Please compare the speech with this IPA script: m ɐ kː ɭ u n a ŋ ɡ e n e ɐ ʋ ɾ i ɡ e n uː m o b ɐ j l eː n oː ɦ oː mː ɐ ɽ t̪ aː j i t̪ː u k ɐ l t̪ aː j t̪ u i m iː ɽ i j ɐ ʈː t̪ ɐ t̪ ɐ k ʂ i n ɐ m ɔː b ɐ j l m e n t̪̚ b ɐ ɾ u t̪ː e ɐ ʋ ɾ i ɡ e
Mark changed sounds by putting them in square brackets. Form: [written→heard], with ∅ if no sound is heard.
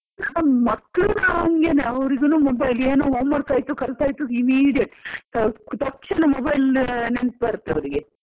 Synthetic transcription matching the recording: m ɐ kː ɭ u n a ŋ ɡ e n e ɐ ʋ ɾ i ɡ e n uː m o b ɐ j l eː n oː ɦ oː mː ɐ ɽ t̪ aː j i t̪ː u k ɐ l t̪ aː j t̪ u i m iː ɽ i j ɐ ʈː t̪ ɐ t̪ ɐ k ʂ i n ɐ m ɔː b ɐ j l [m→n] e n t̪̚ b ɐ ɾ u t̪ː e ɐ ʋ ɾ i ɡ e

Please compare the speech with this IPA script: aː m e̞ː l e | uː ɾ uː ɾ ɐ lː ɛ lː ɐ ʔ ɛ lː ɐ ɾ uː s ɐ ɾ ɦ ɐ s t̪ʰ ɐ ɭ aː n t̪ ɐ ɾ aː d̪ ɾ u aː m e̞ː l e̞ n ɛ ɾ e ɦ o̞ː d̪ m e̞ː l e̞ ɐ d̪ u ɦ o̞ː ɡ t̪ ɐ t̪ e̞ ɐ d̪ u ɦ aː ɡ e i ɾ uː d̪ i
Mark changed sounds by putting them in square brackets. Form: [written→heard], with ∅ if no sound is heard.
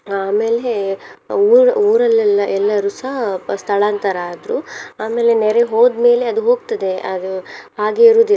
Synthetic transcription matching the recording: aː m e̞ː l e | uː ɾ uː ɾ ɐ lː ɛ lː ɐ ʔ ɛ lː ɐ ɾ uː s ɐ [ɾ→∅] ɦ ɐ s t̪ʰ ɐ ɭ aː n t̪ ɐ ɾ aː d̪ ɾ u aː m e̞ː l e̞ n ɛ ɾ e ɦ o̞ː d̪ m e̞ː l e̞ ɐ d̪ u ɦ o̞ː ɡ t̪ ɐ [t̪→d̪] e̞ ɐ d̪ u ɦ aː ɡ e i ɾ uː d̪ i

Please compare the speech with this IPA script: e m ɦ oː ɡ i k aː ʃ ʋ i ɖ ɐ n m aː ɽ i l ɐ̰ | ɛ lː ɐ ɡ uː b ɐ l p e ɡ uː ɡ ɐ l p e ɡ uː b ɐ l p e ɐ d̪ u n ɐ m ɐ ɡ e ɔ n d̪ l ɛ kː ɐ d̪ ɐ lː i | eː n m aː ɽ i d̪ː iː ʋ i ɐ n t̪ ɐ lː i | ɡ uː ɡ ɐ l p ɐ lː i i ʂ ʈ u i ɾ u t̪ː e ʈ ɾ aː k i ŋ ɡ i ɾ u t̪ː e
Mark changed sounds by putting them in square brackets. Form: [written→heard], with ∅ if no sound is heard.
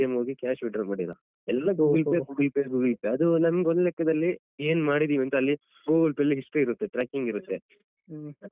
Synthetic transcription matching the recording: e m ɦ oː ɡ i k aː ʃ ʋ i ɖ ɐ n m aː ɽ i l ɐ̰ | ɛ lː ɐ ɡ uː [b→ɡ] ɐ l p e ɡ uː ɡ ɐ l p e ɡ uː [b→ɡ] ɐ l p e ɐ d̪ u n ɐ m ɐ ɡ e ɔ n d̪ l ɛ kː ɐ d̪ ɐ lː i | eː n m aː ɽ i [d̪ː→d̪] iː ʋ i ɐ n t̪ ɐ lː i | ɡ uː ɡ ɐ l p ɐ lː i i ʂ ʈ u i ɾ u t̪ː e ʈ ɾ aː k i ŋ ɡ i ɾ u t̪ː e

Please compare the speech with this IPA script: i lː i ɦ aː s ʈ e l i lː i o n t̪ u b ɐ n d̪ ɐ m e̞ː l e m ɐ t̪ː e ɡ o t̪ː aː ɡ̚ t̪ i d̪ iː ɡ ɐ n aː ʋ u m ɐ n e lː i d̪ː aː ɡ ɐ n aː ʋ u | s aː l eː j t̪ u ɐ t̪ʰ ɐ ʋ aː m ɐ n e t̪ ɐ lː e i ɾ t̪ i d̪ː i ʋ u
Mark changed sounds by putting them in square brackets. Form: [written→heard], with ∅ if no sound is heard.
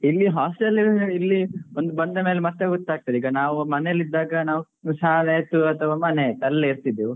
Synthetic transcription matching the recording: i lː i ɦ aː s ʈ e l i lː i o n [t̪→d̪] u b ɐ n d̪ ɐ m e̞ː l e m ɐ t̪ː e ɡ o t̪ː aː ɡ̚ t̪ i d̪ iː ɡ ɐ n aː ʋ u m ɐ n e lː i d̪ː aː ɡ ɐ n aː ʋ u | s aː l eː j t̪ u ɐ t̪ʰ ɐ ʋ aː m ɐ n e t̪ ɐ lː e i ɾ t̪ i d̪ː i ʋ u

